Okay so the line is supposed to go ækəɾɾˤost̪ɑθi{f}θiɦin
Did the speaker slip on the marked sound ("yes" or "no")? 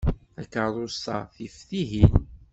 no